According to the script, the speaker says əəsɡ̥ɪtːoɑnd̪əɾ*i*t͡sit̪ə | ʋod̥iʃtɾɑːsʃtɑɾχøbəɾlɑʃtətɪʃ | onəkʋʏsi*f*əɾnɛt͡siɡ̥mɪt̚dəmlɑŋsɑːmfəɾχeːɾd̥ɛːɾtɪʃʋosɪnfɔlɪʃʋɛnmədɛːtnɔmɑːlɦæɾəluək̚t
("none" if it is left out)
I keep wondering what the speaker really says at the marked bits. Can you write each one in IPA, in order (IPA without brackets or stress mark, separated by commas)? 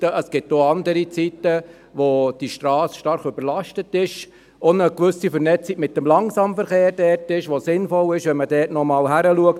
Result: i, f